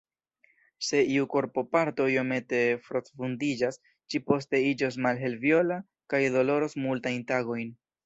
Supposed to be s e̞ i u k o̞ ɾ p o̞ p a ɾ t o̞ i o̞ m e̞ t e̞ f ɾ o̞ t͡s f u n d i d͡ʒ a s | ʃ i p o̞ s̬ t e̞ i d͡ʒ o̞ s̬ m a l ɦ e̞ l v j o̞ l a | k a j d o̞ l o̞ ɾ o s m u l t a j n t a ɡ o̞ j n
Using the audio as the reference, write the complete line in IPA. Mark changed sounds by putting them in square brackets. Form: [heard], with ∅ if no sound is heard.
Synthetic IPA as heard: s e̞ i u k o̞ ɾ p o̞ p a ɾ t o̞ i o̞ m e̞ t e̞ f ɾ o̞ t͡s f u n d i d͡ʒ a s | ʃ i p o̞ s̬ t e̞ i d͡ʒ o̞ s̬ m a l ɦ e̞ l v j o̞ l a | k a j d o̞ l o̞ ɾ o s m u l t a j n t a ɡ o̞ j n